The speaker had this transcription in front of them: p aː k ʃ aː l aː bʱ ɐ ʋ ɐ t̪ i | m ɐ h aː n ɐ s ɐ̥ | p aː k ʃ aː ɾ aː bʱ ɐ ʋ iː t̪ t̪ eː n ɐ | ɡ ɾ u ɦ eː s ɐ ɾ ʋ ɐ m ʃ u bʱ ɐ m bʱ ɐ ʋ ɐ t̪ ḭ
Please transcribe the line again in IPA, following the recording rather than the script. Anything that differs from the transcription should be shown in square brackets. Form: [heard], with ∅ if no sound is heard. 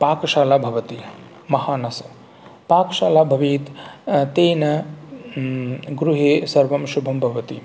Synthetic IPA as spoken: p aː k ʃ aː l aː bʱ ɐ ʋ ɐ t̪ i | m ɐ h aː n ɐ s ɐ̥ | p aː k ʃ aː [l] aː bʱ ɐ ʋ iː t̪ t̪ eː n ɐ | ɡ ɾ u ɦ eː s ɐ ɾ ʋ ɐ m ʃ u bʱ ɐ m bʱ ɐ ʋ ɐ t̪ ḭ